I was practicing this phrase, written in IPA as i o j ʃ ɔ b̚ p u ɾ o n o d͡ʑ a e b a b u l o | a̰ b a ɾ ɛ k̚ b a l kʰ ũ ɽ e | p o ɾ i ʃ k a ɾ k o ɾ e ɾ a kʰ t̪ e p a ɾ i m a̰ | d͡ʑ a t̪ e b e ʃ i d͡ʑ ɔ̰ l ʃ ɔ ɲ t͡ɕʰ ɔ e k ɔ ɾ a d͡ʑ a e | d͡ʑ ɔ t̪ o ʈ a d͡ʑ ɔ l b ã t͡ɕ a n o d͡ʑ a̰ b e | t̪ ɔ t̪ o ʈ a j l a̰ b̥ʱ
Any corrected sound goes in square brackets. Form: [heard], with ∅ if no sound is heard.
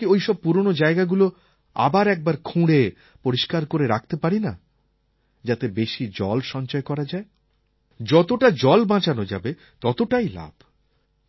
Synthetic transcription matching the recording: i o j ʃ ɔ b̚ p u ɾ o n o d͡ʑ a e [ɡ] a [ɡ] u l o | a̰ b a ɾ ɛ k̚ b a [ɾ] kʰ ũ ɽ e | p o ɾ i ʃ k a ɾ k o ɾ e ɾ a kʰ t̪ e p a ɾ i [n] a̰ | d͡ʑ a t̪ e b e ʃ i d͡ʑ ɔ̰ l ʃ ɔ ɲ [t͡ɕ] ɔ e k ɔ ɾ a d͡ʑ a e | d͡ʑ ɔ t̪ o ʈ a d͡ʑ ɔ l b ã t͡ɕ a n o d͡ʑ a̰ b e | t̪ ɔ t̪ o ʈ a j l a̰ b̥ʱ